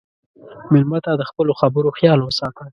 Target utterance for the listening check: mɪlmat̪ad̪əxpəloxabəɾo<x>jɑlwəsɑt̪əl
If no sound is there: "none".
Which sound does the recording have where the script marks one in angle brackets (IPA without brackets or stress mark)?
x